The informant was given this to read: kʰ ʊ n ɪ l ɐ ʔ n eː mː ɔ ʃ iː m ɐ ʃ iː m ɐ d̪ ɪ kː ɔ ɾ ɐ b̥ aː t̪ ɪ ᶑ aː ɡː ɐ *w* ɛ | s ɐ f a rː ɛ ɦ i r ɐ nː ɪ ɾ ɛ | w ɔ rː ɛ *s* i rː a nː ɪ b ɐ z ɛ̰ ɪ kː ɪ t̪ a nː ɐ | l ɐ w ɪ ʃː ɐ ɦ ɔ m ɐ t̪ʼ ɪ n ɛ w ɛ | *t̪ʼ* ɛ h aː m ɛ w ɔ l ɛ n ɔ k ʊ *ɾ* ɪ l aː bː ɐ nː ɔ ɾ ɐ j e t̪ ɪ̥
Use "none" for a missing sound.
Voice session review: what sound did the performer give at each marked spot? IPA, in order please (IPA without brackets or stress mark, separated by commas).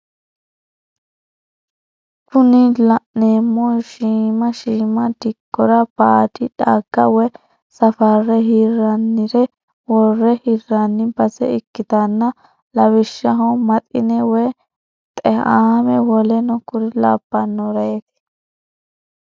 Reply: w, h, t̪ʼ, ɾ